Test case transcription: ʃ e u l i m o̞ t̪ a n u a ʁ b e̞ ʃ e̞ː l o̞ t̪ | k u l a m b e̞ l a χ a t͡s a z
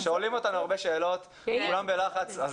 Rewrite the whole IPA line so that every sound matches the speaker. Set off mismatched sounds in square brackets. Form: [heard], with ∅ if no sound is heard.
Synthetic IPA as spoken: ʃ e [o] l i m o̞ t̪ a n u a ʁ b e̞ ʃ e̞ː l o̞ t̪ | k u l a m b e̞ l a χ a t͡s a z